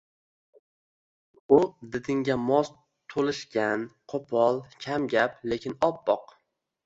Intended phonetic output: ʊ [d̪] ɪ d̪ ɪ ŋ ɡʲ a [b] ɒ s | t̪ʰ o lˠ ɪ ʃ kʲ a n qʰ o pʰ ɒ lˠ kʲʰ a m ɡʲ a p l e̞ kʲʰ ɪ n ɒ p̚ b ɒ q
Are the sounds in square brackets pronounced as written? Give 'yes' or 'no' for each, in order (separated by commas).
yes, no